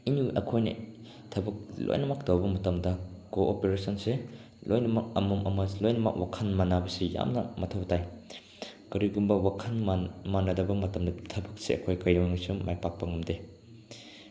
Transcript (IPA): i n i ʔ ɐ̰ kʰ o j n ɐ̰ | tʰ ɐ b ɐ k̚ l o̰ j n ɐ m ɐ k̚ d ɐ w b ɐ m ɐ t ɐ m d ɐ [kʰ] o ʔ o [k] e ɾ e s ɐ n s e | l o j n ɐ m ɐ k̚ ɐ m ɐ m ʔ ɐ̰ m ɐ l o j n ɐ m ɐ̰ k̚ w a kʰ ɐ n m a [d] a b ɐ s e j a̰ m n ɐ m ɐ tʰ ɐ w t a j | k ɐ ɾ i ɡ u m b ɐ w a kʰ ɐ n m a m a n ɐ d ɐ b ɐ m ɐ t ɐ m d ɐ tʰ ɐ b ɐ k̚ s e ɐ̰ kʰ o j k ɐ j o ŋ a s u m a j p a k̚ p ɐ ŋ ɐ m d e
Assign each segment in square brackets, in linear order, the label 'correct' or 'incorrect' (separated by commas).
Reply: incorrect, incorrect, incorrect